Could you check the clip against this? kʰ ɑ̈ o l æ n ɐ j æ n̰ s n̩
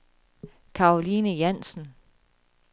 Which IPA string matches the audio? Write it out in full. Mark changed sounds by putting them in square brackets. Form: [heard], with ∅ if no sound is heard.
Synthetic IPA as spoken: kʰ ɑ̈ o l [i] n [ə] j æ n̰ s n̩